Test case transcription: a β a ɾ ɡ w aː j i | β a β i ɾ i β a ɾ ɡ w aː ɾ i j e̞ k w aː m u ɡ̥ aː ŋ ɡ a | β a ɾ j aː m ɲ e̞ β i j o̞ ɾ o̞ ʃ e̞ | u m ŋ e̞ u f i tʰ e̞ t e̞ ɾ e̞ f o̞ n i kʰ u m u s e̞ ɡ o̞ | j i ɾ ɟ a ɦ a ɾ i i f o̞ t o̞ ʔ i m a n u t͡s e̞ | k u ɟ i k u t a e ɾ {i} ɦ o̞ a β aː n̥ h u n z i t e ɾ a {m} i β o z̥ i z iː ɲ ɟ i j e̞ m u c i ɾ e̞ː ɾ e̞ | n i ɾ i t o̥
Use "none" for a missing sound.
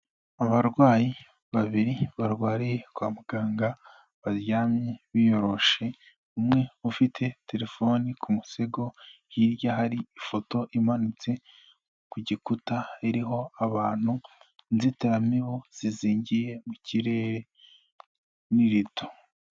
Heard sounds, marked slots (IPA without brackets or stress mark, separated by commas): i, m